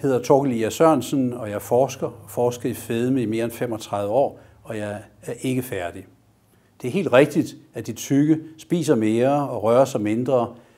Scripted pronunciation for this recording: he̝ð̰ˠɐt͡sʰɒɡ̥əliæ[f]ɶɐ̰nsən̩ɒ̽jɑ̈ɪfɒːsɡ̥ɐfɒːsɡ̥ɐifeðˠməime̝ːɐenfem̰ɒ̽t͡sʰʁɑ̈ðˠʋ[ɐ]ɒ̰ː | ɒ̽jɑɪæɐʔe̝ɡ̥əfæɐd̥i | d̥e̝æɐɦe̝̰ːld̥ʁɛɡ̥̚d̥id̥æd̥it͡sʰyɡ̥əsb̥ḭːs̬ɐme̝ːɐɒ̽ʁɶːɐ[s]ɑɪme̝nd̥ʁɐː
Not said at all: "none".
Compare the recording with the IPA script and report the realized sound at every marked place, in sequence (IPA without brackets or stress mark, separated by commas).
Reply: s, ə, s